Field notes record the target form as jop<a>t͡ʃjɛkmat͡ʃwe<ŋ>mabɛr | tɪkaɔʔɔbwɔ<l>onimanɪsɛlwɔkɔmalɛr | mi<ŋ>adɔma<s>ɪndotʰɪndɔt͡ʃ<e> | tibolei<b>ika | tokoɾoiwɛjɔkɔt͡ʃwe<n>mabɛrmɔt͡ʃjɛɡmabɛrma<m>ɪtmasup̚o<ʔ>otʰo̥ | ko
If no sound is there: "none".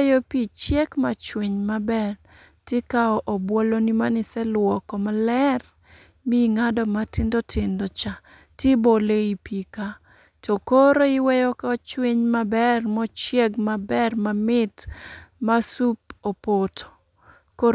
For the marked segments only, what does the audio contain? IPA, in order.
i, ɲ, l, ŋ, t, a, p, ɲ, m, p

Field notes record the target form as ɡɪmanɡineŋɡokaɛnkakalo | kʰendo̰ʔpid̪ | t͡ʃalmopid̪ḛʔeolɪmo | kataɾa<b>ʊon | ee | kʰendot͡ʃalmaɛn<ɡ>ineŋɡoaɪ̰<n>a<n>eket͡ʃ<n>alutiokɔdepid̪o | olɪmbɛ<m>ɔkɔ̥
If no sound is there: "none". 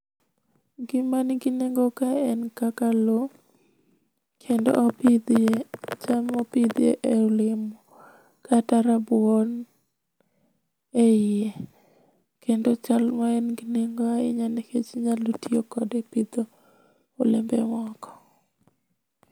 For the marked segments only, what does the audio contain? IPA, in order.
b, ɡ, ɲ, n, ɲ, m

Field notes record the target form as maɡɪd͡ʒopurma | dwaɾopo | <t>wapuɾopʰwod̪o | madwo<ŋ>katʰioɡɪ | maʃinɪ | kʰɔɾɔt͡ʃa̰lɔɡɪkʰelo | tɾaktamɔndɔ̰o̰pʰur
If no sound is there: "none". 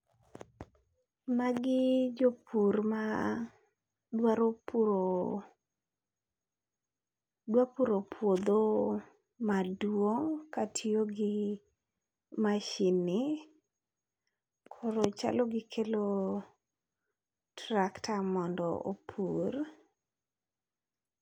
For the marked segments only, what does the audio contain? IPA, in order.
d, ŋ

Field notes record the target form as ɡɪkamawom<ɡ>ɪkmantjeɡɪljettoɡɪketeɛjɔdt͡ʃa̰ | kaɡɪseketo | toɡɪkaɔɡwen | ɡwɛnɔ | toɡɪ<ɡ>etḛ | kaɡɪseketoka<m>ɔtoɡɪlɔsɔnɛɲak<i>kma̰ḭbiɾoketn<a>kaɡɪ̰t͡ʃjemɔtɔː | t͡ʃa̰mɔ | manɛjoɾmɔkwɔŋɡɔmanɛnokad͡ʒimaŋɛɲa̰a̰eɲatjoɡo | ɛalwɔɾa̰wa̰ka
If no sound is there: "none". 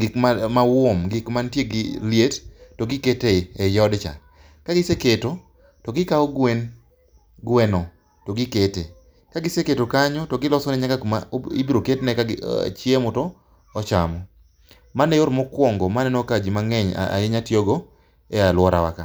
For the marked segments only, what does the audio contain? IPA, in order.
ɡ, k, ɲ, a, ɛ

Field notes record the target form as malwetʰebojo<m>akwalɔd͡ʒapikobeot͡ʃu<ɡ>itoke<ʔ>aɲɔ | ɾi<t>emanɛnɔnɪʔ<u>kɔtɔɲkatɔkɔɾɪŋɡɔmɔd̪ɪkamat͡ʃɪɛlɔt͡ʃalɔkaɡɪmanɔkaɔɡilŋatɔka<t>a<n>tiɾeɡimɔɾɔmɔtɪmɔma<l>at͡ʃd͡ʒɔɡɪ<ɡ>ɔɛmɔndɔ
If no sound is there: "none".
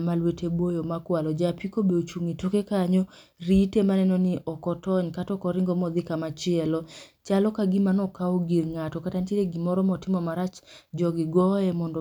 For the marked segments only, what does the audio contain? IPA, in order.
m, ŋ, k, t, ɔ, t, n, ɾ, ɡ

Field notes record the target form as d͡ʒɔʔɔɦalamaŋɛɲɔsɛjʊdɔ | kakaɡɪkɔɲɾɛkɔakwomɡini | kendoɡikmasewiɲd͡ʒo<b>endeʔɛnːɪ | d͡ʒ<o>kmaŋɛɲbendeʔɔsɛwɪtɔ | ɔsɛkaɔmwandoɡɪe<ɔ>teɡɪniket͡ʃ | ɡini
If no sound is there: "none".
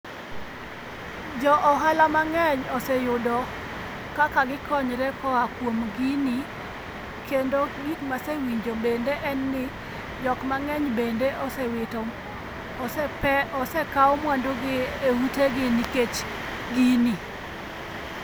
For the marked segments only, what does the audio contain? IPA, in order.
b, ɔ, u

